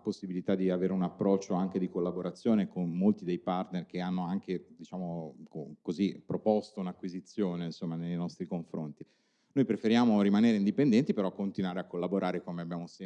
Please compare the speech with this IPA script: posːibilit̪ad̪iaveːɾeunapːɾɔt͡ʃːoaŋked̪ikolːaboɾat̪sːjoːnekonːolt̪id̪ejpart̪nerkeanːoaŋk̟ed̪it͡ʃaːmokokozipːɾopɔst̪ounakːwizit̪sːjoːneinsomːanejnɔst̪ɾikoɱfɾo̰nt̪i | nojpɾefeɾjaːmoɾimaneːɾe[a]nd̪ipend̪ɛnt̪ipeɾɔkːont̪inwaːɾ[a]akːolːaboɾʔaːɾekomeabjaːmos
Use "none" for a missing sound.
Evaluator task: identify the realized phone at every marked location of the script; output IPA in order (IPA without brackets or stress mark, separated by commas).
i, e